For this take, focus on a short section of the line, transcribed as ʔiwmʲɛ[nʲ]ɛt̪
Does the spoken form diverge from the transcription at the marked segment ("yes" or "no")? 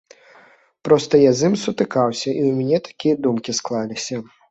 no